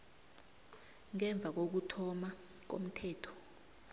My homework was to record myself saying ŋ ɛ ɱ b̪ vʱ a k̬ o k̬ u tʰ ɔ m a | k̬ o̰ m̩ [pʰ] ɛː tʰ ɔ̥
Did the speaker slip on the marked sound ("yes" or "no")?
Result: yes